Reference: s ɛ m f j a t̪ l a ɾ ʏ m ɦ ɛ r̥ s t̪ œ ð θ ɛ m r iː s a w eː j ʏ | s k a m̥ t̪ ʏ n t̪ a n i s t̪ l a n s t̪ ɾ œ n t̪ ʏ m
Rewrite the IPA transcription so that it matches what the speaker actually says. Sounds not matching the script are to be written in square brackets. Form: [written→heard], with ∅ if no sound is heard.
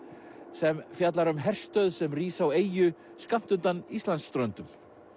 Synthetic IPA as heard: s ɛ m f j a t̪ l a ɾ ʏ m ɦ ɛ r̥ s t̪ œ ð [θ→s] ɛ m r iː s a w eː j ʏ | s k a m̥ t̪ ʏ n t̪ a n i s t̪ l a n s t̪ ɾ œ n t̪ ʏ m